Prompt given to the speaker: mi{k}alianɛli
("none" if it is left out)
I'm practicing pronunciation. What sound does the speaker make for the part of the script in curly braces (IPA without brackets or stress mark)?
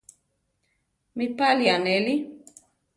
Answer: p